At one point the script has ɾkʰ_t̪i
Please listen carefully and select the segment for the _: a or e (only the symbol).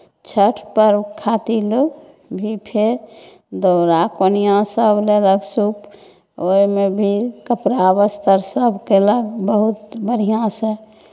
a